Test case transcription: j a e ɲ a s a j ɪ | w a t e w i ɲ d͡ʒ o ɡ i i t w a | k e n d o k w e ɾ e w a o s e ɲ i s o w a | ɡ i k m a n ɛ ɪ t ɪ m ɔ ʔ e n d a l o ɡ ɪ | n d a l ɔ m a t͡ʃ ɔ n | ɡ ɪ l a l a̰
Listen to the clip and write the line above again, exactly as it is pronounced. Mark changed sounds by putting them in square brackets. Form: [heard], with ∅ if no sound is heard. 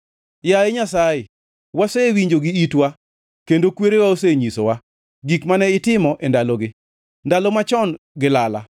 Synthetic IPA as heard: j a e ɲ a s a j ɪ | w a [s] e w i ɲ d͡ʒ o ɡ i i t w a | k e n d o k w e ɾ e w a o s e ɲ i s o w a | ɡ i k m a n ɛ ɪ t ɪ m ɔ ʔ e n d a l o ɡ ɪ | n d a l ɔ m a t͡ʃ ɔ n | ɡ ɪ l a l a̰